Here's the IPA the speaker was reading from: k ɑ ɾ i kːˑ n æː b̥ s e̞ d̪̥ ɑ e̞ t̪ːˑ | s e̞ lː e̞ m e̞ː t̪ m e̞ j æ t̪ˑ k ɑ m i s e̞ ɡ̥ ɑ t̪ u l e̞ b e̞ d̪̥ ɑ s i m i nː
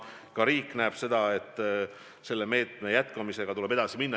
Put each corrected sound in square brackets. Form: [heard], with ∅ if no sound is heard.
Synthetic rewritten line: k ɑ ɾ [iː] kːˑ n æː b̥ s e̞ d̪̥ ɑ e̞ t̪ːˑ | s e̞ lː e̞ m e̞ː t̪ m e̞ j æ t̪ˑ k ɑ m i s e̞ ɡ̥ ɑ t̪ u l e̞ b e̞ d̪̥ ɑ s i m i nː

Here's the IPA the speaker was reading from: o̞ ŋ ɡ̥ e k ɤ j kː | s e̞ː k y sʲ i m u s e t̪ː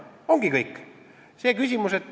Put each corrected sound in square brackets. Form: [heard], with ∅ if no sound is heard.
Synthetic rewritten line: o̞ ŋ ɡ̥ [i] k ɤ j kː | s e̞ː k y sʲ i m u s e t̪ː

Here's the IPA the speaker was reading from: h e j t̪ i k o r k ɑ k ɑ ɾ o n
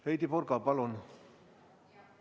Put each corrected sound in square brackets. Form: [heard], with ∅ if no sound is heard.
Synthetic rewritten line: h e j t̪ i [p] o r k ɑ [p] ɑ [l] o n

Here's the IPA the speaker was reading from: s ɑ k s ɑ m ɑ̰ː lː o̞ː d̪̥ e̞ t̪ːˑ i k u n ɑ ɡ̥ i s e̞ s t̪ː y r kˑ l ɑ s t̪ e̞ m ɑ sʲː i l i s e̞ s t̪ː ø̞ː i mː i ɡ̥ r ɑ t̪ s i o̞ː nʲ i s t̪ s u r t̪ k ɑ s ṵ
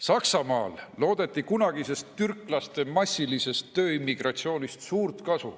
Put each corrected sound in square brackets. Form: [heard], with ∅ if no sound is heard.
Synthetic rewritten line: s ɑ k s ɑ m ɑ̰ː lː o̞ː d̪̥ e̞ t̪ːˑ i k u n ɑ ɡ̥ i s e̞ s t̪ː y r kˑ l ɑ s t̪ e̞ m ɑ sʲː i l i s e̞ s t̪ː ø̞ː i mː i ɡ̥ r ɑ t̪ s i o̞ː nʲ i s t̪ s [uː] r t̪ k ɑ s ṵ

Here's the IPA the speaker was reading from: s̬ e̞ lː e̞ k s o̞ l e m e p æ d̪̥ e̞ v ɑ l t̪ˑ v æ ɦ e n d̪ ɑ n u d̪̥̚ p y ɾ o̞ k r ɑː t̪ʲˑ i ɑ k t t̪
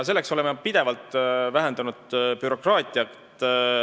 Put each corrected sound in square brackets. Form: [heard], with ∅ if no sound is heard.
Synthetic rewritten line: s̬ e̞ lː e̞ k s o̞ l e m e p [i] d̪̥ e̞ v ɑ l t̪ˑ v æ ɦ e n d̪ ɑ n u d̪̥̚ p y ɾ o̞ k r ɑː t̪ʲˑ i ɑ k t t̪

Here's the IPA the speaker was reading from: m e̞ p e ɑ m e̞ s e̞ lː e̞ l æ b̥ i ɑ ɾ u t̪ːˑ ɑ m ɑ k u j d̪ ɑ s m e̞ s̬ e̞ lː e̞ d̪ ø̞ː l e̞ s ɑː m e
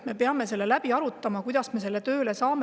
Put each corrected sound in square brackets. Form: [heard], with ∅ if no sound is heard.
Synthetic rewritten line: m e̞ p e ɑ m e̞ s e̞ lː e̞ l æ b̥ i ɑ ɾ u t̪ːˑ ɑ m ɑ k u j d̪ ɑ s m e̞ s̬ e̞ lː e̞ [t̪] ø̞ː l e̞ s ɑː m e

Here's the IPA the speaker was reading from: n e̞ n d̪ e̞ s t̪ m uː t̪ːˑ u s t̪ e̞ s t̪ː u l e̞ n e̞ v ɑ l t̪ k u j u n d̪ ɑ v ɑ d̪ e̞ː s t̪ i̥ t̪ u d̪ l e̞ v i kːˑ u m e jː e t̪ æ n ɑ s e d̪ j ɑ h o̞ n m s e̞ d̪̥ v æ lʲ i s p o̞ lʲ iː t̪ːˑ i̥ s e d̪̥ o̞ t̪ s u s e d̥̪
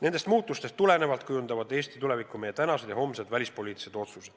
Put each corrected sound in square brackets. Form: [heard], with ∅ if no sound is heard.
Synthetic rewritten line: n e̞ n d̪ e̞ s t̪ m uː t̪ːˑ u s t̪ e̞ s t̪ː u l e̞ n e̞ v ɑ l t̪ k u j u n d̪ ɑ v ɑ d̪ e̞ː s t̪ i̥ t̪ u [∅] l e̞ v i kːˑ u m e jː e t̪ æ n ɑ s e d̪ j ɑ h o̞ [∅] m s e̞ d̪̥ v æ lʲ i s p o̞ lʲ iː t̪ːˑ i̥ s e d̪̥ o̞ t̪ s u s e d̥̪

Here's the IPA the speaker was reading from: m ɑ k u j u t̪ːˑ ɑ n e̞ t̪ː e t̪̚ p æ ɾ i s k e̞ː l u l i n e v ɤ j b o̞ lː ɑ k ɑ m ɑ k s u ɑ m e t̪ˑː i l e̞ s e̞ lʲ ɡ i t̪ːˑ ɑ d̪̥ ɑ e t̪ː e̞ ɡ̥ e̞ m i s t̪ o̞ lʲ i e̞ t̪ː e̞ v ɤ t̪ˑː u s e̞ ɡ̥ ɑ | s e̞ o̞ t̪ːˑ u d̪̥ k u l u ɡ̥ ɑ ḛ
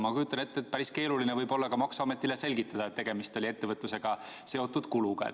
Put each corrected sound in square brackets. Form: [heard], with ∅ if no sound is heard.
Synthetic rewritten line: m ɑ k u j u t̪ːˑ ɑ n e̞ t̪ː e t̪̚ p æ ɾ i s k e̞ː l u l i n e v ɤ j b o̞ lː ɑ k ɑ m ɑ k s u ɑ m e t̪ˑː i l e̞ s e̞ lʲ ɡ i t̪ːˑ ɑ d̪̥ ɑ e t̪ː e̞ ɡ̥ e̞ m i s t̪ o̞ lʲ i e̞ t̪ː e̞ v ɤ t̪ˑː u s e̞ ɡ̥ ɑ | s e̞ o̞ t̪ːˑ u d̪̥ k u l u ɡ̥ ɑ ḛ

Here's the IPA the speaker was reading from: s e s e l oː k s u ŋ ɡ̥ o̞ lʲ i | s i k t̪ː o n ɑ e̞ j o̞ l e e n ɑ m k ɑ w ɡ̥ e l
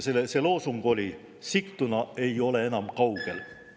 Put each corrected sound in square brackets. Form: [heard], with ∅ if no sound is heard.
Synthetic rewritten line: s e s e l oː [∅] s u ŋ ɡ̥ o̞ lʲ i | s i k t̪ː [u] n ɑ e̞ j o̞ l e e n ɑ m k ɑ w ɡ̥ e l

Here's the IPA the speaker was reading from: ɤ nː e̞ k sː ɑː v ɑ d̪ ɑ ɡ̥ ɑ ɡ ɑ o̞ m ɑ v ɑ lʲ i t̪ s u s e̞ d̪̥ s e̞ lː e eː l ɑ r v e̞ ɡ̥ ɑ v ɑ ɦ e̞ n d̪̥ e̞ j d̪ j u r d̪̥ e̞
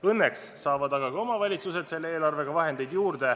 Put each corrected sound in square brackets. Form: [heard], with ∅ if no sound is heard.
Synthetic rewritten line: ɤ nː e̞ k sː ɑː v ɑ d̪ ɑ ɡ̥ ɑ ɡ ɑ o̞ m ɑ v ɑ lʲ i t̪ s u s e̞ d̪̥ s e̞ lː e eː l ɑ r v e̞ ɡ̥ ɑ v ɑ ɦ e̞ n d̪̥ e̞ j d̪ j [uː] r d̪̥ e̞

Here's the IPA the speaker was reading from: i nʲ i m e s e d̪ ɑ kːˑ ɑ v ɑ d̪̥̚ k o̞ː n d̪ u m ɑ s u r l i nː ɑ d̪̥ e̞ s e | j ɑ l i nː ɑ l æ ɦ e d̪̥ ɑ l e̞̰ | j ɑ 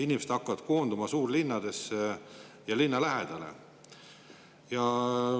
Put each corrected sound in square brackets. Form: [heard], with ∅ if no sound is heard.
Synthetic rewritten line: i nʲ i m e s e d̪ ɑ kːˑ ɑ v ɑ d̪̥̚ k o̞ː n d̪ u m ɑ s [uː] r l i nː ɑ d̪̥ e̞ s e | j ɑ l i nː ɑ l æ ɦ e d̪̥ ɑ l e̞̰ | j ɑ

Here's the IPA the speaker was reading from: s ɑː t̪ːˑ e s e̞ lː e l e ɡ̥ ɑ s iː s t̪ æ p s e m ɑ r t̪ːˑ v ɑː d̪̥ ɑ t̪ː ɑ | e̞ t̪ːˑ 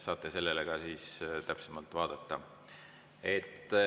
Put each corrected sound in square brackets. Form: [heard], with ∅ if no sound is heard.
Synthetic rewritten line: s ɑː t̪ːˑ e s e̞ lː e l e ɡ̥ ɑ s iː s t̪ æ p s e m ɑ [l] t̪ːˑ v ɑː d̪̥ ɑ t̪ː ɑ | e̞ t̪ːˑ

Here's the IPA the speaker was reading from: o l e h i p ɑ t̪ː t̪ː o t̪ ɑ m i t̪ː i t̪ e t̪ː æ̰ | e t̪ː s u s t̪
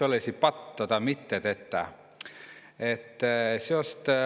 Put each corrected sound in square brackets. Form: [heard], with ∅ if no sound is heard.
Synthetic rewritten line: o l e [s] i p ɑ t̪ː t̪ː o t̪ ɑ m i t̪ː [e] t̪ e t̪ː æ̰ | e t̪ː s [o] s t̪

